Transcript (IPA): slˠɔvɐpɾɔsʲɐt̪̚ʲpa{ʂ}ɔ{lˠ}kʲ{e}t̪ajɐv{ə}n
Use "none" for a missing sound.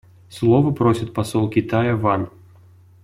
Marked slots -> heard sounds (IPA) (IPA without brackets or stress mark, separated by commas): s, lˠ, i, a